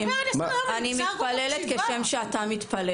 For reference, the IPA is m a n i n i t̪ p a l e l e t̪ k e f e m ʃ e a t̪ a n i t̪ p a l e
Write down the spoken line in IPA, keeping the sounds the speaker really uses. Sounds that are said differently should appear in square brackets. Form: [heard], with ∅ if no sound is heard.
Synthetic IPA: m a n i [m] i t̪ p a l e l e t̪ k e [ʃ] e m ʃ e a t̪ a [m] i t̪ p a l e